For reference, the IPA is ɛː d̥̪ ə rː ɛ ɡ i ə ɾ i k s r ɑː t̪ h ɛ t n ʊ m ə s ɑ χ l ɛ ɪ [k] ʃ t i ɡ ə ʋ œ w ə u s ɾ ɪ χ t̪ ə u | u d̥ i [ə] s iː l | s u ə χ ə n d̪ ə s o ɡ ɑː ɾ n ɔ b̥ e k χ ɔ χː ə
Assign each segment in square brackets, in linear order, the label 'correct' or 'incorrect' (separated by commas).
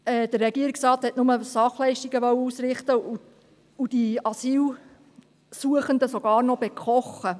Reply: incorrect, incorrect